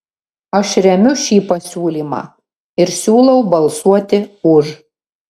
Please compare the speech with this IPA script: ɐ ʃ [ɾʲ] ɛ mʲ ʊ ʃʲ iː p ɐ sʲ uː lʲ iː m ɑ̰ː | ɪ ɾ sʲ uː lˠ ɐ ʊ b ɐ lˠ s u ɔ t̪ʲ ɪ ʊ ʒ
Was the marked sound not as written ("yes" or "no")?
no